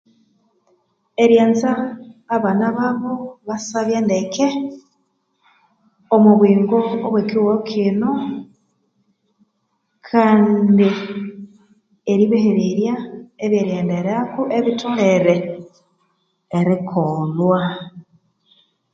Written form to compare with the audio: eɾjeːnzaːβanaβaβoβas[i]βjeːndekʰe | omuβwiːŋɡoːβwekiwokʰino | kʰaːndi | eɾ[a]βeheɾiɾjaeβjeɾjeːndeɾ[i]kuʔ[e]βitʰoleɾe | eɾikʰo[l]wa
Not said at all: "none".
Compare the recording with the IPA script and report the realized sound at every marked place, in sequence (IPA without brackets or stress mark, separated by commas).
a, i, a, e, l